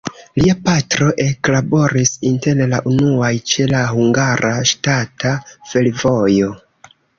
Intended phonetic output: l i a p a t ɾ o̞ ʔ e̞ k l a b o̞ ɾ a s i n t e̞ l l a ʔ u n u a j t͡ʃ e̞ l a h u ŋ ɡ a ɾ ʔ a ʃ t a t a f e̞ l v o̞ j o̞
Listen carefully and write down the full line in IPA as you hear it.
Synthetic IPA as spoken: l i a p a t ɾ o̞ ʔ e̞ k l a b o̞ ɾ i s i n t e̞ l l a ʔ u n u a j t͡ʃ e̞ l a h u ŋ ɡ a ɾ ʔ a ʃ t a t a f e̞ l v o̞ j o̞